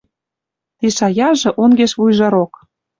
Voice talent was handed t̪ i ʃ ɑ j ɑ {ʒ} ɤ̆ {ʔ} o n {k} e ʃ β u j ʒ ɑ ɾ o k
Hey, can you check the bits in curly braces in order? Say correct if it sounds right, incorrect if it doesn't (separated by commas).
correct, correct, incorrect